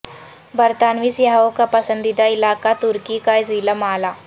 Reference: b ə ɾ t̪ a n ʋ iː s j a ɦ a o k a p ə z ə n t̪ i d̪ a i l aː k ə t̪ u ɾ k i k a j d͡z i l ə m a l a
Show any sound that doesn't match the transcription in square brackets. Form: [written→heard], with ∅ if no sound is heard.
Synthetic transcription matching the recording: b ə ɾ t̪ a n ʋ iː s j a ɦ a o k a p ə [z→s] ə n [t̪→d̪] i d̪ a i l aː k [ə→a] t̪ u ɾ k i k a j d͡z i l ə m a l a

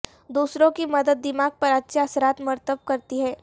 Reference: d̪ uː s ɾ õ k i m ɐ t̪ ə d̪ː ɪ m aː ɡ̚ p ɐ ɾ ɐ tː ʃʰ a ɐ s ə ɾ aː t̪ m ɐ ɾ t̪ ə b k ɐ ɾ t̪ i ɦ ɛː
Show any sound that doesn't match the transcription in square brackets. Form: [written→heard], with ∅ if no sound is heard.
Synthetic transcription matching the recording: d̪ uː s ɾ õ k i m ɐ [t̪→d̪] ə d̪ː ɪ m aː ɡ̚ p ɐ ɾ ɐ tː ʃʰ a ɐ s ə ɾ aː t̪ m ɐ ɾ t̪ ə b k ɐ ɾ t̪ i ɦ ɛː

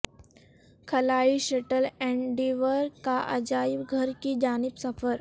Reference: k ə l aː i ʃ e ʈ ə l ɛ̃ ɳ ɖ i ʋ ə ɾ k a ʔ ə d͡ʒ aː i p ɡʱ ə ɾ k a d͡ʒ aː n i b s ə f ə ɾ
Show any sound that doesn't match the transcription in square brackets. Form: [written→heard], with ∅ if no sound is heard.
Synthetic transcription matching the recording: [k→kʰ] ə l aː i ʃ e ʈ ə l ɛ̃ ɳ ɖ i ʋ ə ɾ k a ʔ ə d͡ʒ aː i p ɡʱ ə ɾ k [a→i] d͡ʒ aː n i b s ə f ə ɾ

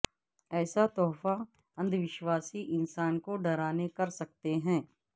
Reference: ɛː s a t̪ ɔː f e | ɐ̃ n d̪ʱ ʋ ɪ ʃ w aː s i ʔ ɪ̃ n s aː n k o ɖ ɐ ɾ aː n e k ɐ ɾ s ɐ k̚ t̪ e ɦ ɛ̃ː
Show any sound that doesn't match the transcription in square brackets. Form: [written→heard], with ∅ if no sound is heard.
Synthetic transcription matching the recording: ɛː s a t̪ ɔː f [e→a] | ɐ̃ n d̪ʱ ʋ ɪ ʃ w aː s i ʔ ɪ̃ n s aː n k o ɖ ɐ ɾ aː n e k ɐ ɾ s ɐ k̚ t̪ e ɦ ɛ̃ː

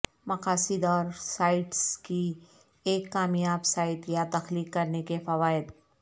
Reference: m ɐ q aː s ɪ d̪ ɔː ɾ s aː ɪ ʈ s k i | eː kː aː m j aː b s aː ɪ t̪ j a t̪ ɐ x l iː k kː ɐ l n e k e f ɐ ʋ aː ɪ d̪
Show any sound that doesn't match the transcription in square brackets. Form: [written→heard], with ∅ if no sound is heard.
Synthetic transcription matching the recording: m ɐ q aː s ɪ d̪ ɔː ɾ s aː ɪ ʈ s k i | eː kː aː m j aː b s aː ɪ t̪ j a t̪ ɐ x l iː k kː ɐ [l→ɾ] n e k e f ɐ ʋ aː ɪ d̪

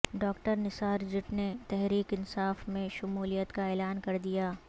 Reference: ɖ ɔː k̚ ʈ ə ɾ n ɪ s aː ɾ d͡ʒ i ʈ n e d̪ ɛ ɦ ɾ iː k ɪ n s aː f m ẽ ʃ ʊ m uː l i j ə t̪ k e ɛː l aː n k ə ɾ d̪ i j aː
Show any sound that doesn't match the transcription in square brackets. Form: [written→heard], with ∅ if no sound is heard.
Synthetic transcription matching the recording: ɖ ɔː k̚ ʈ ə ɾ n ɪ s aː ɾ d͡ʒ [i→ɪ] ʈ n e [d̪→t̪] ɛ ɦ ɾ iː k ɪ n s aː f m ẽ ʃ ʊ m uː l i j ə t̪ k [e→a] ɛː l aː n k [ə→ɐ] ɾ d̪ i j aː

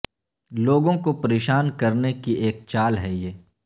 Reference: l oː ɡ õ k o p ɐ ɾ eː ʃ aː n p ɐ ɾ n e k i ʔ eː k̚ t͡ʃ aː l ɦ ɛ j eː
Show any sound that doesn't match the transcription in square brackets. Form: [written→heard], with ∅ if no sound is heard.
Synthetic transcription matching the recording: l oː ɡ õ k o p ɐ ɾ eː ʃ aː n [p→k] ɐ ɾ n e k i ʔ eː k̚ t͡ʃ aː l ɦ ɛ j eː

